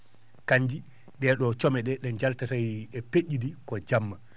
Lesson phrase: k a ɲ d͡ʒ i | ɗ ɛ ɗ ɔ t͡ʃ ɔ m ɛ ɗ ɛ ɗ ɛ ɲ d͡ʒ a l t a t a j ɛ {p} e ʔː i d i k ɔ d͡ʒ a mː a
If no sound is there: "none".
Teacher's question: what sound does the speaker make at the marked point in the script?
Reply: p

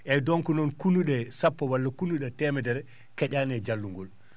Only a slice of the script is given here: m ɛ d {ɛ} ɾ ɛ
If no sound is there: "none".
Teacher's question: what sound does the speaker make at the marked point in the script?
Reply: ɛ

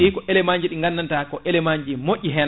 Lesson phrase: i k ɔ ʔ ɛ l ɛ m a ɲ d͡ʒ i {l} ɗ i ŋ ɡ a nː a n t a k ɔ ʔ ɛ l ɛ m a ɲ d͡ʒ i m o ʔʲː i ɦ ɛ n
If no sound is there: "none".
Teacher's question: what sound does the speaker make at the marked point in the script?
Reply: none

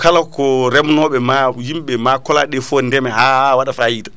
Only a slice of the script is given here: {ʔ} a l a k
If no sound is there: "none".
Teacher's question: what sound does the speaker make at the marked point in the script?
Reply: k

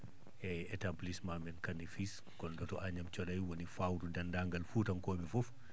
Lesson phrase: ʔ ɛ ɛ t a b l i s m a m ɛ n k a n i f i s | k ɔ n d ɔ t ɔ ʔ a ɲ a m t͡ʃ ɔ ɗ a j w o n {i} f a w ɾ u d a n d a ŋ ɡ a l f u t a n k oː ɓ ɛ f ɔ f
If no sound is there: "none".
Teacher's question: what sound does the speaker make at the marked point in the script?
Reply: i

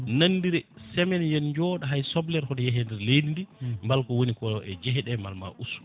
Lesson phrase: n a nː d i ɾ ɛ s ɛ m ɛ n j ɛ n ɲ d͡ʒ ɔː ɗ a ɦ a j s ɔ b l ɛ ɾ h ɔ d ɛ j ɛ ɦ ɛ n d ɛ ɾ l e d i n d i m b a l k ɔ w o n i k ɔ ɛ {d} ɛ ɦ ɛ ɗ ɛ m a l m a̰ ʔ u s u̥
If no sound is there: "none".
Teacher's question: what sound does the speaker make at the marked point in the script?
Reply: d͡ʒ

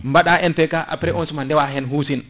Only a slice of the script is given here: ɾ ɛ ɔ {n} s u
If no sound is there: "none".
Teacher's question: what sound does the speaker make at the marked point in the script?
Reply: n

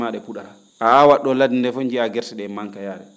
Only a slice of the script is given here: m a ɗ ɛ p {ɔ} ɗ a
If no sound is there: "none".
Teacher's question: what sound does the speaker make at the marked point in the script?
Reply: u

